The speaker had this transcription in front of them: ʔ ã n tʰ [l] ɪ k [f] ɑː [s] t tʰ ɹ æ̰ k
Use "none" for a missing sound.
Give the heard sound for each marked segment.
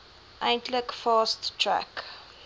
l, f, s

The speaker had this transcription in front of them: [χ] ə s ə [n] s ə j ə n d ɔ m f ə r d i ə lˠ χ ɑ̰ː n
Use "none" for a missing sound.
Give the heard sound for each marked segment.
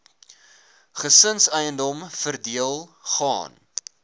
χ, n

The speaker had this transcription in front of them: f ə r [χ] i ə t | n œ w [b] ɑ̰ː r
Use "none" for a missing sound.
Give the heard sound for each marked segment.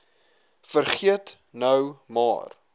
χ, m

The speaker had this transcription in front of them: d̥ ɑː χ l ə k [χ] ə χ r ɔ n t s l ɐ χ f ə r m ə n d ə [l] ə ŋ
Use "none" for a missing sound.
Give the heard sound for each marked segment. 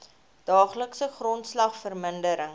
s, ɾ

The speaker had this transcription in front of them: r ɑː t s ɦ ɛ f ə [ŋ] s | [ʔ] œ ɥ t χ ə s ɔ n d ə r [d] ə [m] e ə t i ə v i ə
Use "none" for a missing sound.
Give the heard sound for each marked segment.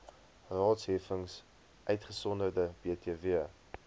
ŋ, ʔ, d, b

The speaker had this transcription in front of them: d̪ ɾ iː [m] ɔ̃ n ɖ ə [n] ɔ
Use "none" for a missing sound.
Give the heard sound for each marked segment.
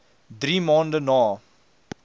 m, n

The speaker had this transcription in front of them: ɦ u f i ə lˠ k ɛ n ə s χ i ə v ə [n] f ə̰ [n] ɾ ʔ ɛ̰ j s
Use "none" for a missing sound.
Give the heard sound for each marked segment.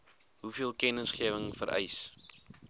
ŋ, none

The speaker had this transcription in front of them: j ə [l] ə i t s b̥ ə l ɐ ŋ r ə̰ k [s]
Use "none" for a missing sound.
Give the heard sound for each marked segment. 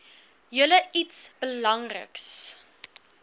l, s

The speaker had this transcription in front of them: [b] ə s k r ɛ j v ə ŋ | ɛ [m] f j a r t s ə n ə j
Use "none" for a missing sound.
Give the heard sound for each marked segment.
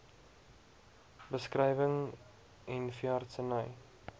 b, n

